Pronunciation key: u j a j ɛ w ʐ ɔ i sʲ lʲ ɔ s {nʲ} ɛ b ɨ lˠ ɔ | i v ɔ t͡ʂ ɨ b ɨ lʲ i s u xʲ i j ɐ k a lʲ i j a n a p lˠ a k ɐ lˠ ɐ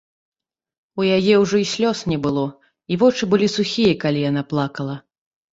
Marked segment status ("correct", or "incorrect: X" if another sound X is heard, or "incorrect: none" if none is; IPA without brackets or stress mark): correct